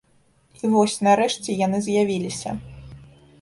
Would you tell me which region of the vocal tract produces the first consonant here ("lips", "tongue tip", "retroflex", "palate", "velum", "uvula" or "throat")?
lips